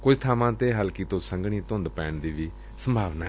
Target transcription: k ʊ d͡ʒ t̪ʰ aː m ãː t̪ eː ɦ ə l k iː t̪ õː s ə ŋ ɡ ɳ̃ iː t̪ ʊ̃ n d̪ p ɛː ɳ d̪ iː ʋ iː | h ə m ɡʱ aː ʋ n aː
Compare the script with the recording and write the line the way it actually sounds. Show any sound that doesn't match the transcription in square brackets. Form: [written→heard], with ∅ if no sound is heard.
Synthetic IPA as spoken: k ʊ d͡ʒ t̪ʰ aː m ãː t̪ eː ɦ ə l k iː t̪ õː s ə ŋ ɡ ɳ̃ iː t̪ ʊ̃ n d̪ p ɛː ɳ d̪ iː ʋ iː | [h→s] ə m [ɡʱ→bʱ] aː ʋ n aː